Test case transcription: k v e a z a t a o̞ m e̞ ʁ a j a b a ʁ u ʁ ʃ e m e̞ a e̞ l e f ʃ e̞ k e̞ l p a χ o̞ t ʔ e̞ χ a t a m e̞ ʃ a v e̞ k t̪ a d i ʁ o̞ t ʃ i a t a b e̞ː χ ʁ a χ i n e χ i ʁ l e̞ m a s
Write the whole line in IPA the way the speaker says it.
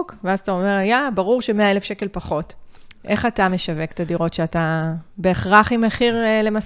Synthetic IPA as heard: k v e a z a t a o̞ m e̞ ʁ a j a b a ʁ u ʁ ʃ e m e̞ a e̞ l e f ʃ e̞ k e̞ l p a χ o̞ t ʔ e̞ χ a t a m e̞ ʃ a v e̞ k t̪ a d i ʁ o̞ t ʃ e a t a b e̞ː χ ʁ a χ i m e χ i ʁ l e̞ m a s